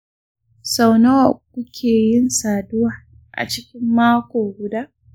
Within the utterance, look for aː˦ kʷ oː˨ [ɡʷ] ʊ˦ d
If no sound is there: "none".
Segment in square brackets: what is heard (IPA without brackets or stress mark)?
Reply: ɡʷ